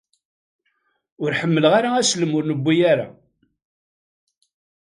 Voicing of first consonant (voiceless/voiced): voiced